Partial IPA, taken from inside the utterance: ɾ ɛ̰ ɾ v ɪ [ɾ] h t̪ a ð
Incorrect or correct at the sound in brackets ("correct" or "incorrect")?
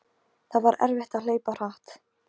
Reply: incorrect